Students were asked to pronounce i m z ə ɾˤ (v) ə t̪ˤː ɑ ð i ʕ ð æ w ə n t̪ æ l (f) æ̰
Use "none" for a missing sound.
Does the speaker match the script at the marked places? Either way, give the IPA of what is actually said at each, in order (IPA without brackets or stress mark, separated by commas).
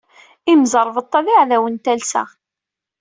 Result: v, s